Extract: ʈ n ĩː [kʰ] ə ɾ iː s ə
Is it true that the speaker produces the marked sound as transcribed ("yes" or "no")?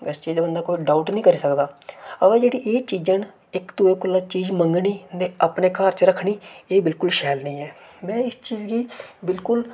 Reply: no